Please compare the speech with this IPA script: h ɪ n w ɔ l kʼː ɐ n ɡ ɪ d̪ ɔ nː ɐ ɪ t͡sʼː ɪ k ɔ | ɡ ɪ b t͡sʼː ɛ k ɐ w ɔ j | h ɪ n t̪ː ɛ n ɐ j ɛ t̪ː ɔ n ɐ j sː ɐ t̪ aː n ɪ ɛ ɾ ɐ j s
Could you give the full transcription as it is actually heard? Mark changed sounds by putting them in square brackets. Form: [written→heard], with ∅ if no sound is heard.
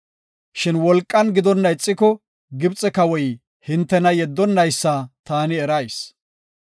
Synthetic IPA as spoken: [h→ʃ] ɪ n w ɔ l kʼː ɐ n ɡ ɪ d̪ ɔ nː ɐ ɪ t͡sʼː ɪ k ɔ | ɡ ɪ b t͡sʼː ɛ k ɐ w ɔ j | h ɪ n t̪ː ɛ n ɐ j ɛ [t̪ː→d̪ː] ɔ [n→nː] ɐ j sː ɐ t̪ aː n ɪ ɛ ɾ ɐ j s

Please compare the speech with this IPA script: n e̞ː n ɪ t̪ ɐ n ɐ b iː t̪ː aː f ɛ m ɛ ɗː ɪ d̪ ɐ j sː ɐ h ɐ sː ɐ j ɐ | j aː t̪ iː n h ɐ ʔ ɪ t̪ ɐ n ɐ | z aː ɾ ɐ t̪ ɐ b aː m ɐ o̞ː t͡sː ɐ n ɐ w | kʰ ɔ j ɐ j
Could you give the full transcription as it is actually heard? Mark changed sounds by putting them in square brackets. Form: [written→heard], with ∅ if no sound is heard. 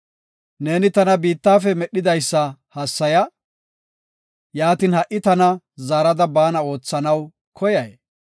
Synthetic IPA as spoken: n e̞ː n ɪ t̪ ɐ n ɐ b iː t̪ː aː f ɛ m ɛ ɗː ɪ d̪ ɐ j sː ɐ h ɐ sː ɐ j ɐ | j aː t̪ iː n h ɐ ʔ ɪ t̪ ɐ n ɐ | z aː ɾ ɐ [t̪→d̪] ɐ b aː [m→n] ɐ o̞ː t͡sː ɐ n ɐ w | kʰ ɔ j ɐ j

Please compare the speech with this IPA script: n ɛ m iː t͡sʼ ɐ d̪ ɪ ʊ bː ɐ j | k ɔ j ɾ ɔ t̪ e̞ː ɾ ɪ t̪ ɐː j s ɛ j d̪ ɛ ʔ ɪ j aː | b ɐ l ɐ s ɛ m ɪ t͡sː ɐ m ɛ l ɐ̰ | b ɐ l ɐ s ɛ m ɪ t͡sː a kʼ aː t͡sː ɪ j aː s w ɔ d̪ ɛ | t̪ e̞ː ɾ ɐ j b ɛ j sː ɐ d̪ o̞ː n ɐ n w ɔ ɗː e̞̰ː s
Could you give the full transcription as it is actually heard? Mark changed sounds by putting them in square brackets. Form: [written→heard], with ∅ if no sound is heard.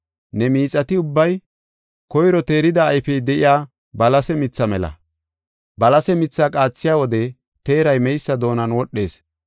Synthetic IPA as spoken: n ɛ m iː t͡sʼ ɐ [d̪→t̪] ɪ ʊ bː ɐ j | k ɔ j ɾ ɔ t̪ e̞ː ɾ ɪ [t̪→d̪] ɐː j [s→f] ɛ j d̪ ɛ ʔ ɪ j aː | b ɐ l ɐ s ɛ m ɪ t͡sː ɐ m ɛ l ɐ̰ | b ɐ l ɐ s ɛ m ɪ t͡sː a kʼ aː t͡sː ɪ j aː [s→∅] w ɔ d̪ ɛ | t̪ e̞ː ɾ ɐ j [b→m] ɛ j sː ɐ d̪ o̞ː n ɐ n w ɔ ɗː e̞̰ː s

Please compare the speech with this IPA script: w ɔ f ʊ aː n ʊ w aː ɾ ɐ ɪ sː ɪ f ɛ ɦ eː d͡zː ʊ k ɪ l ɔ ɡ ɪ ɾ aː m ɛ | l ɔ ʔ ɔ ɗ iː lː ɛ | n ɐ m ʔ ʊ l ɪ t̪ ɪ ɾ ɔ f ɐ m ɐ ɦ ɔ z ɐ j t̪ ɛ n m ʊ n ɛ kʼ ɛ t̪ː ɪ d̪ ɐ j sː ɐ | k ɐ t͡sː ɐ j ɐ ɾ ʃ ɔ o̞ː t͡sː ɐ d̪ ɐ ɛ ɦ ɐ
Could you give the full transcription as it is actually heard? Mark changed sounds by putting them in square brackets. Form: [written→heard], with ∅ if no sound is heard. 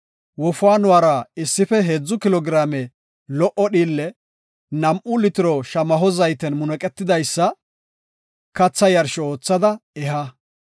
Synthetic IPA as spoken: w ɔ f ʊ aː n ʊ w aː ɾ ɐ ɪ sː ɪ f ɛ ɦ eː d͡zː ʊ k ɪ l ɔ ɡ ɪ ɾ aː m ɛ | l ɔ ʔ ɔ ɗ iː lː ɛ | n ɐ m ʔ ʊ l ɪ t̪ ɪ ɾ ɔ [f→ʃ] ɐ m ɐ ɦ ɔ z ɐ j t̪ ɛ n m ʊ n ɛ kʼ ɛ t̪ː ɪ d̪ ɐ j sː ɐ | k ɐ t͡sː ɐ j ɐ ɾ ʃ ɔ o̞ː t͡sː ɐ d̪ ɐ ɛ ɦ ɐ

